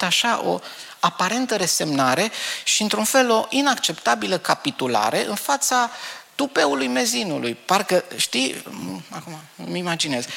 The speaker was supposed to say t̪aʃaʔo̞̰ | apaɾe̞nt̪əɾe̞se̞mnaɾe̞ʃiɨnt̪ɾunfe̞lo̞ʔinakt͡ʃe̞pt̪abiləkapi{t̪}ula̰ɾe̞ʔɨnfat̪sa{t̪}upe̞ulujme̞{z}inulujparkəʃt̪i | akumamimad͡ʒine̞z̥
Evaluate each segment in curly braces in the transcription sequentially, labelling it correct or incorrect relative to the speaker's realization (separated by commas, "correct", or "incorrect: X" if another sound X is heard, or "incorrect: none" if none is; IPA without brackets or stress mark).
correct, correct, correct